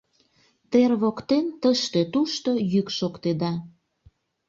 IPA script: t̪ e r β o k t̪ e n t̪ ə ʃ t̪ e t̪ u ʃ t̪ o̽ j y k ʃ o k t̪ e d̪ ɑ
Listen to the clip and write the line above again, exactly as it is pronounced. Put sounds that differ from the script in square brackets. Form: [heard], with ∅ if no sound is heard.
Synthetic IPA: t̪ e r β o k t̪ e n t̪ ə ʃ t̪ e t̪ u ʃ t̪ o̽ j y k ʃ o k t̪ e d̪ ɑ

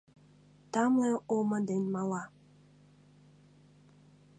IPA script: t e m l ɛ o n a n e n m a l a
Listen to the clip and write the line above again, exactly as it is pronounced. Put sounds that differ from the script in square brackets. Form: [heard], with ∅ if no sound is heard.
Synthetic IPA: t [a] m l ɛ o [m] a [d] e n m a l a

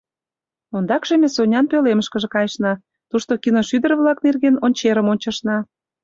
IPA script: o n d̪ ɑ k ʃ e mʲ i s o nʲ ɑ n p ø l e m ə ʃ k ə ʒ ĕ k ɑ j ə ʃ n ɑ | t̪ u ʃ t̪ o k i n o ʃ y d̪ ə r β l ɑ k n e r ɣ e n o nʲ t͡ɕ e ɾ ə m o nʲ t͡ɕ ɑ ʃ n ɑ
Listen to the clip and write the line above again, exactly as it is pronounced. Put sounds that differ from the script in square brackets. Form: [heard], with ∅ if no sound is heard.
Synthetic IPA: o n d̪ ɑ k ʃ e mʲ [e] s o nʲ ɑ n p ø l e m ə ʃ k ə ʒ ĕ k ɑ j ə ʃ n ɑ | t̪ u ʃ t̪ o k i n o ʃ y d̪ ə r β l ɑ k n e r ɣ e n o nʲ t͡ɕ e ɾ ə m o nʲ t͡ɕ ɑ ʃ n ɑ

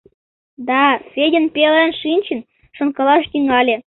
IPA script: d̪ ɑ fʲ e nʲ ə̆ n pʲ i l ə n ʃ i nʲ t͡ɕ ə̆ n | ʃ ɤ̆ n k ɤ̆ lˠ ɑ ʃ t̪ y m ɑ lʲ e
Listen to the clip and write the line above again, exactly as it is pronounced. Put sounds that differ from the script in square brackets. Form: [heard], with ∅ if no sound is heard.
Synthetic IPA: d̪ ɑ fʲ e [dʲ] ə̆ n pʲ [e] l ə n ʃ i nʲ t͡ɕ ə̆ n | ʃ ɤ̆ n k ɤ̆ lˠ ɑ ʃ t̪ y [ŋ] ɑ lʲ e

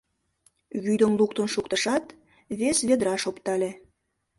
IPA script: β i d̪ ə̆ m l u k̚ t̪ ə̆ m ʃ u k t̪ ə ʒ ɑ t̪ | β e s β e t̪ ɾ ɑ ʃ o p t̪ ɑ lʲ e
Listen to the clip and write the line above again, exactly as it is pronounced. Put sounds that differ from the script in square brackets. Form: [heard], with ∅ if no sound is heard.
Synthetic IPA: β [y] d̪ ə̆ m l u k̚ t̪ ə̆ [n] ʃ u k t̪ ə [ʃ] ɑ t̪ | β e s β e [d̪] ɾ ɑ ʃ o p t̪ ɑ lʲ e

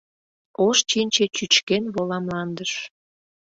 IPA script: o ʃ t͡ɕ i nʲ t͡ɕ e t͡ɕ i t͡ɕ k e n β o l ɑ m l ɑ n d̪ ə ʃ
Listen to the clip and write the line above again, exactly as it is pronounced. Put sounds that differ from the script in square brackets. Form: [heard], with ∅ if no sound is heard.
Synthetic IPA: o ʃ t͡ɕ i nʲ t͡ɕ e t͡ɕ [y] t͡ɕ k e n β o l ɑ m l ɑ n d̪ ə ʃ

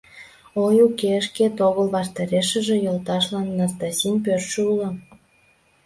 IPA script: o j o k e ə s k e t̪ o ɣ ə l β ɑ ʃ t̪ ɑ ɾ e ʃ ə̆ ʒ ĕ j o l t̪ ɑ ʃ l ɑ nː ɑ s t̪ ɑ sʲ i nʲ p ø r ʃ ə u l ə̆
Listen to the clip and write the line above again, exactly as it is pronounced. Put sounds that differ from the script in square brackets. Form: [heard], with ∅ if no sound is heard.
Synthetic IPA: o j [u] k e ə [ʃ] k e t̪ o ɣ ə l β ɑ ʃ t̪ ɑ ɾ e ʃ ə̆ ʒ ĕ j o l t̪ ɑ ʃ l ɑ nː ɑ s t̪ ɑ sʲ i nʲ p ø r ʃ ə u l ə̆

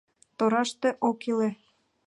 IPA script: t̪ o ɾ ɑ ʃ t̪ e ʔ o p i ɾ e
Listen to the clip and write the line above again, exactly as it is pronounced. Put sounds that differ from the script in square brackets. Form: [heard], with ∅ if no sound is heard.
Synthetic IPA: t̪ o ɾ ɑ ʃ t̪ e ʔ o [k] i [l] e

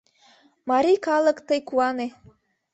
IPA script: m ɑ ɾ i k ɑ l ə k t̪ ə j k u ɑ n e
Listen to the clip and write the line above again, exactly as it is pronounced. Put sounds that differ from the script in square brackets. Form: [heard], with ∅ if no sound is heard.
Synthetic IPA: m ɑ ɾ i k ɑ l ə k t̪ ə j k u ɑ n e

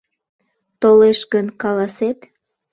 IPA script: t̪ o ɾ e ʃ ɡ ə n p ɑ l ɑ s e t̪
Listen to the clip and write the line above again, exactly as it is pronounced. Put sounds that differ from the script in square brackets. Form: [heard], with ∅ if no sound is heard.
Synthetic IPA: t̪ o [l] e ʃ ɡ ə n [k] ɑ l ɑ s e t̪

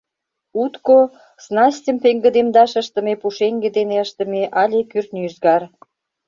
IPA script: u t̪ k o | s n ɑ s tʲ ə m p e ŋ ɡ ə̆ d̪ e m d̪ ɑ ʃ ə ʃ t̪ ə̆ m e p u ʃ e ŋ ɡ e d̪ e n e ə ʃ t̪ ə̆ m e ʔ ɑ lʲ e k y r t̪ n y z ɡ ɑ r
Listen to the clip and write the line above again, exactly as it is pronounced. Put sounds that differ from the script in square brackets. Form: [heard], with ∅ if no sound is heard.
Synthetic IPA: u t̪ k o | s n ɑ s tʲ ə m p e ŋ ɡ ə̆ d̪ e m d̪ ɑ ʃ ə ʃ t̪ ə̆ m e p u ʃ e ŋ ɡ e d̪ e n e ə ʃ t̪ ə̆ m e ʔ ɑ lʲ e k y r t̪ n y z ɡ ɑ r

